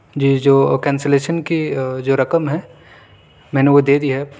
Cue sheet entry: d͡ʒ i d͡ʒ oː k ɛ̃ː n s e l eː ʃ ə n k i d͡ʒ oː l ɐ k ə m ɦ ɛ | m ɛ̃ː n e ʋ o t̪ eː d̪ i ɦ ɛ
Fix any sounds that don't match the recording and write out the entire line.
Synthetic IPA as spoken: d͡ʒ i d͡ʒ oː k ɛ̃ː n s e l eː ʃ ə n k i d͡ʒ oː ɾ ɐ k ə m ɦ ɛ | m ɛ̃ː n e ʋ o d̪ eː d̪ i ɦ ɛ